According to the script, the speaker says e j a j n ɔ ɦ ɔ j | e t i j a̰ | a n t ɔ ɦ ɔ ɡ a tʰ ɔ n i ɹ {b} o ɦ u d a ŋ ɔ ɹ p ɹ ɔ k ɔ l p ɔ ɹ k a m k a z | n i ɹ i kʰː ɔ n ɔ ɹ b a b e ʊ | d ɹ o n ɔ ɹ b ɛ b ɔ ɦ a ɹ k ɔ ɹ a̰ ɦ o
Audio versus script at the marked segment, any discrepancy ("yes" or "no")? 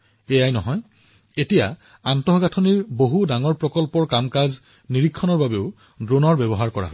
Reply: no